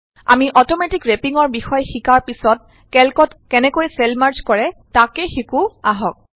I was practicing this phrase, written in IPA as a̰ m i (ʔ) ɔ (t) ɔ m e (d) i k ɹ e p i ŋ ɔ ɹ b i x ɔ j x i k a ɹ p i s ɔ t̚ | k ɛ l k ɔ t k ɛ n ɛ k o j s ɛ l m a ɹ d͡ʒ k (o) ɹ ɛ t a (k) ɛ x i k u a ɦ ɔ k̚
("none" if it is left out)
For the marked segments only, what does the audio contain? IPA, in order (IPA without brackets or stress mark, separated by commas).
ʔ, t, t, ɔ, k